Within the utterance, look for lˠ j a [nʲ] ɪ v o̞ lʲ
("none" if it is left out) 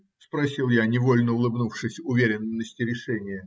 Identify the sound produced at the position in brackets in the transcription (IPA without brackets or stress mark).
nʲ